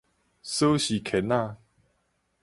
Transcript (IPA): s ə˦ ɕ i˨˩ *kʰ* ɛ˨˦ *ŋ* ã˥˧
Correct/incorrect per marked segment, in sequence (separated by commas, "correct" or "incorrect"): correct, incorrect